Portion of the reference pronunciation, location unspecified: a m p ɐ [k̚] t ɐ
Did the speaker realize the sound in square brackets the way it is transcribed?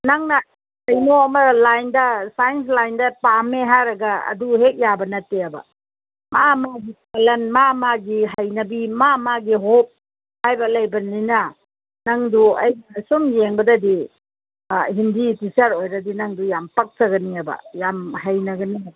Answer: yes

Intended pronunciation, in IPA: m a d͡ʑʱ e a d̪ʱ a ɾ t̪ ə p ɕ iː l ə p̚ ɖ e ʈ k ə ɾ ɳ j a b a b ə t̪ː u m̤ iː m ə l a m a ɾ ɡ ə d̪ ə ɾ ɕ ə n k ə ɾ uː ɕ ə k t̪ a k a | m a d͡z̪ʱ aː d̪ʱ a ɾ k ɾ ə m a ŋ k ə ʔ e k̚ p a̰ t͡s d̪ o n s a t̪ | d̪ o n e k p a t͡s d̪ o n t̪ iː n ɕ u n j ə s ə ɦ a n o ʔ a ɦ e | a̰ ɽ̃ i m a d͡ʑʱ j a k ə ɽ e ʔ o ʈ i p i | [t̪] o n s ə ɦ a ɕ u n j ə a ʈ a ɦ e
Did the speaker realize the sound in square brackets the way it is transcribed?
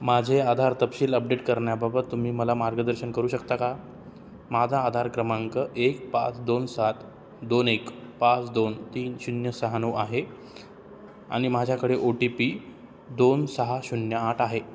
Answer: no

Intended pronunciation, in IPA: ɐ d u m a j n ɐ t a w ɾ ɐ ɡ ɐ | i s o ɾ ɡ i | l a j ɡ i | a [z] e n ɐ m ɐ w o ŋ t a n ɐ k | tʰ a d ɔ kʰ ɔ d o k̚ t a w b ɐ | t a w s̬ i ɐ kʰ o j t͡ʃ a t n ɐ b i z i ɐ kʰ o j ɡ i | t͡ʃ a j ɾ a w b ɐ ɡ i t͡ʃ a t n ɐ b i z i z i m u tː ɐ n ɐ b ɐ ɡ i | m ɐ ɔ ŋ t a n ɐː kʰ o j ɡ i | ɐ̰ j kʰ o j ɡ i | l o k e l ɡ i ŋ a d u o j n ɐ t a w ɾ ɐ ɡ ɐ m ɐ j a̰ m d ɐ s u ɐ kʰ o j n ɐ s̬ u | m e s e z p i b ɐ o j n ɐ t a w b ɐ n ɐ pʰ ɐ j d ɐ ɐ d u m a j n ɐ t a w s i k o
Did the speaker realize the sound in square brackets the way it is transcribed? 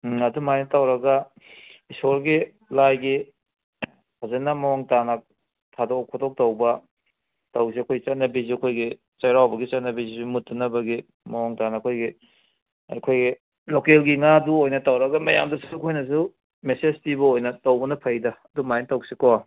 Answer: yes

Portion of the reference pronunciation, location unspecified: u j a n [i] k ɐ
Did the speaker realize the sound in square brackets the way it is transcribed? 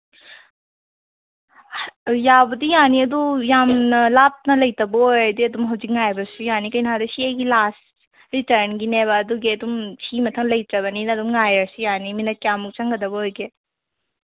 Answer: yes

